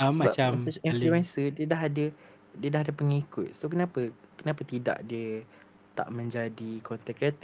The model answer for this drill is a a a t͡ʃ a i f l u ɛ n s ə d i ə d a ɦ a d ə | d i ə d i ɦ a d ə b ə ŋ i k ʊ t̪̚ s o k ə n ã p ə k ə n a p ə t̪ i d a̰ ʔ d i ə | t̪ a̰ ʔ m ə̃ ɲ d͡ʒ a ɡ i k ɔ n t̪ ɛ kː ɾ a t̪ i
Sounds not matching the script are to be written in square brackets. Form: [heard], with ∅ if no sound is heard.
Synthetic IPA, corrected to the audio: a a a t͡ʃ a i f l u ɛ n s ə d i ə d a ɦ a d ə | d i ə d [a] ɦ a d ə [p] ə ŋ i k ʊ t̪̚ s o k ə n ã p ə k ə n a p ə t̪ i d a̰ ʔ d i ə | t̪ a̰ ʔ m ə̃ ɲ d͡ʒ a [d] i k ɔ n t̪ ɛ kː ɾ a t̪ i